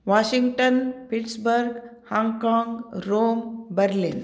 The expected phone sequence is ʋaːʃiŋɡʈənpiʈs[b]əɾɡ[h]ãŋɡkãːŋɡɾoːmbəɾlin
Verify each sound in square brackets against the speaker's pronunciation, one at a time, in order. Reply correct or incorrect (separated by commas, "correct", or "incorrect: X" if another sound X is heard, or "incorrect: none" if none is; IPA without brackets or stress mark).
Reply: correct, correct